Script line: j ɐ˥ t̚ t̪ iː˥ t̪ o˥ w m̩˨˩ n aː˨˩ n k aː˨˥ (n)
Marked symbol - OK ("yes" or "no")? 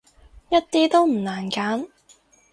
yes